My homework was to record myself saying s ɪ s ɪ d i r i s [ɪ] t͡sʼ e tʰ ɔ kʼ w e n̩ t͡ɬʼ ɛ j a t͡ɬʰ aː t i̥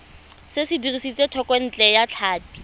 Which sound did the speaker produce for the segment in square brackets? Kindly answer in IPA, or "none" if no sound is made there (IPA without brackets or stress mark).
i